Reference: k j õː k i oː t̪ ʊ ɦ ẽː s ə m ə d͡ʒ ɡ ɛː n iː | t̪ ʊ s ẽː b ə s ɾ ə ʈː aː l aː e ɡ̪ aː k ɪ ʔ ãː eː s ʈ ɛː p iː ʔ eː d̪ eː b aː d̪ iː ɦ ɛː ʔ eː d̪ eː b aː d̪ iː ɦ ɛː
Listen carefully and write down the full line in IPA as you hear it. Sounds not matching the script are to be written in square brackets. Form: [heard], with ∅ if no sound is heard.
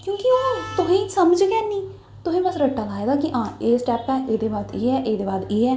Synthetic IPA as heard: k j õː k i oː t̪ ʊ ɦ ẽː s ə m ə d͡ʒ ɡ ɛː n iː | t̪ ʊ s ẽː b ə s ɾ ə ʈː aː l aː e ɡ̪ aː k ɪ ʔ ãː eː s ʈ ɛː p [ɛː] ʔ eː d̪ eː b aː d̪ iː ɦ ɛː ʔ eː d̪ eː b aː d̪ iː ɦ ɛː